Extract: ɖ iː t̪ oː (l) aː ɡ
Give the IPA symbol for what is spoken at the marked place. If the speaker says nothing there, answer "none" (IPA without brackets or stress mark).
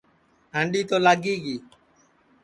l